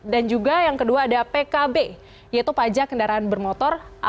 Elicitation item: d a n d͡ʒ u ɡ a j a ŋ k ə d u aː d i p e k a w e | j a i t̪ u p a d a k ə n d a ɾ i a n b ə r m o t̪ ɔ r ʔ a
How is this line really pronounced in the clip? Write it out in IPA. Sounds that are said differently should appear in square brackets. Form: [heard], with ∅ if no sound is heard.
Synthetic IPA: d a n d͡ʒ u ɡ a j a ŋ k ə d u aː d [a] p e k a [b] e | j a i t̪ u p a [d͡ʒ] a k ə n d a ɾ [a] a n b ə r m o t̪ ɔ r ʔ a